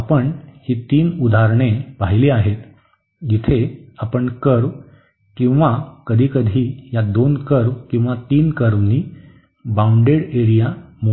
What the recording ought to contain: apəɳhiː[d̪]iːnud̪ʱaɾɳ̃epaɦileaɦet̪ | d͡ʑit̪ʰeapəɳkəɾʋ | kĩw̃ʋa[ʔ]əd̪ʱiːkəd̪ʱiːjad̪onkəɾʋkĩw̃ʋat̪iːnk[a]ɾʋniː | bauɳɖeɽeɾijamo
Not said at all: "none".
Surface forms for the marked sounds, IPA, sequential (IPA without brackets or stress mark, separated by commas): t̪, k, ə